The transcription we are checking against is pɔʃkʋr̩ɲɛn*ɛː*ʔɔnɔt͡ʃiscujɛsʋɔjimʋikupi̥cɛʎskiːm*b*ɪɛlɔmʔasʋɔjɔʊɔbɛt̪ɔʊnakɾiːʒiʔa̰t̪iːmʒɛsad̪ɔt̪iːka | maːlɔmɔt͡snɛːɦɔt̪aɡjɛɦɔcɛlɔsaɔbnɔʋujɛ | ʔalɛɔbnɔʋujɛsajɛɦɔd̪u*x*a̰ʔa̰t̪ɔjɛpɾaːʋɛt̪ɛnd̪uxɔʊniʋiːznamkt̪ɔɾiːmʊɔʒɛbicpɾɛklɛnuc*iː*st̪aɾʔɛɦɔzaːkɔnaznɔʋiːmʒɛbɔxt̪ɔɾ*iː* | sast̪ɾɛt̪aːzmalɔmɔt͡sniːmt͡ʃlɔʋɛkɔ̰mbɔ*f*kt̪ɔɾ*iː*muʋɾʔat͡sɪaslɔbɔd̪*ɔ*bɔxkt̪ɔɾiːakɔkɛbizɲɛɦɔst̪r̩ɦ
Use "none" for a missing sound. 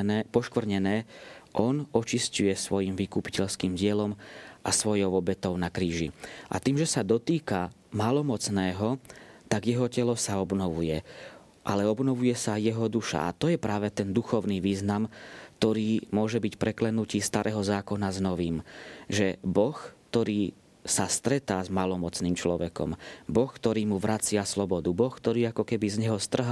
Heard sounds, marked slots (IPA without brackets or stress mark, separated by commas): ɛː, ɟ, ʃ, iː, iː, x, iː, u